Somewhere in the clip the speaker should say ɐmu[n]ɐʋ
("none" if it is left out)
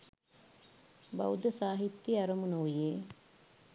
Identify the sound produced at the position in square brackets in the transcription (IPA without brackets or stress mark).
n